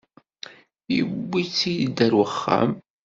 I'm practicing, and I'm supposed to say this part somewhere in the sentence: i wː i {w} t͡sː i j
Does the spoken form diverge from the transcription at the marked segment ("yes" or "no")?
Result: yes